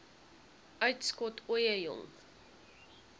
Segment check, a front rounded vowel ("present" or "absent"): present